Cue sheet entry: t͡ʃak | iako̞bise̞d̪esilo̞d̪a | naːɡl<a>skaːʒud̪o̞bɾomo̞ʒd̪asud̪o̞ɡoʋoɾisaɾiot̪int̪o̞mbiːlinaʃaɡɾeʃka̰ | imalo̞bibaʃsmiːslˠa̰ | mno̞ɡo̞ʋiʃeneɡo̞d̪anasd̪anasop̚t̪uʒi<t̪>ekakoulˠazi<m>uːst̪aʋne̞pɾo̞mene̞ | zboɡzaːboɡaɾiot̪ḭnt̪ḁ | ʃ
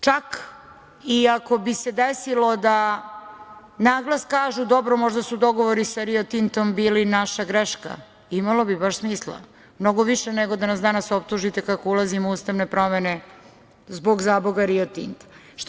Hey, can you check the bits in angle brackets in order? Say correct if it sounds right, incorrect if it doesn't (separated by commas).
correct, correct, correct